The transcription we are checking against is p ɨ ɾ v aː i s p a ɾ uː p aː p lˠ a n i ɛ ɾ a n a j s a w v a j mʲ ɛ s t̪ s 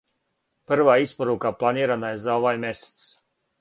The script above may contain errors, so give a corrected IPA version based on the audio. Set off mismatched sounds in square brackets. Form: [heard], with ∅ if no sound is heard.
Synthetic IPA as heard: p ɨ ɾ v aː i s p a ɾ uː [k] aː p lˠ a n i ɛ ɾ a n a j [z] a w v a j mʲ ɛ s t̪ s